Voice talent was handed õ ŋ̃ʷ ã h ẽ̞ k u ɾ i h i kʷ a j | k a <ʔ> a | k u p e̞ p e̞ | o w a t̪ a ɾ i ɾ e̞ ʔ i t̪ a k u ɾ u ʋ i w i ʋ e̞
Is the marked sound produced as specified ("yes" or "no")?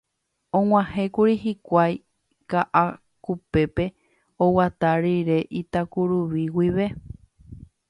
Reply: yes